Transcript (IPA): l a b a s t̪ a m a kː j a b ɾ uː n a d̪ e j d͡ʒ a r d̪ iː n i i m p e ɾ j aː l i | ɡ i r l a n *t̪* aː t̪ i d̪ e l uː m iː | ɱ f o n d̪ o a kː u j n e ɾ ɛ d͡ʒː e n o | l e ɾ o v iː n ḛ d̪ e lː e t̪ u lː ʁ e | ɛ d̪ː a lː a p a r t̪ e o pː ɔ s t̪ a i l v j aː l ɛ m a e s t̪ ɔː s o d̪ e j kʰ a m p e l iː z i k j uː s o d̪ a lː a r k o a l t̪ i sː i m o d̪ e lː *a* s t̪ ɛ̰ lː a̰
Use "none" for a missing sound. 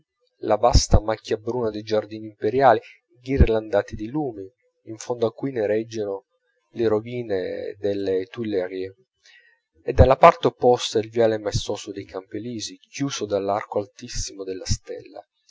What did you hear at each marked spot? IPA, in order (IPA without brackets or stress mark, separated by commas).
d̪, a